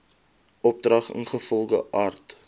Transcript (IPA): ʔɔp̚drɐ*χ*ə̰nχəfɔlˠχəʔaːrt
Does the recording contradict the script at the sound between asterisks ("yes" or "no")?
no